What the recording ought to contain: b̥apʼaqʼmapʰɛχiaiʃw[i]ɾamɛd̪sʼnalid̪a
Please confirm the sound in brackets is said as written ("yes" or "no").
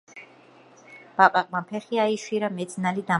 yes